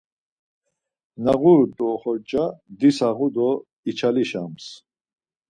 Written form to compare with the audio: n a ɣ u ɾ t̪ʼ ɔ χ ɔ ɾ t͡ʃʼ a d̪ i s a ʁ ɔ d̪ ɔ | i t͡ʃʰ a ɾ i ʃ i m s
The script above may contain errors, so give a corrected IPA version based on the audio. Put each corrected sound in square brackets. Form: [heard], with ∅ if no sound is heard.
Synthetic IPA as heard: n a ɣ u ɾ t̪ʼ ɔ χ ɔ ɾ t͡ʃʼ a d̪ i s a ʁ [u] d̪ ɔ | i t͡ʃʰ a [l] i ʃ [a] m s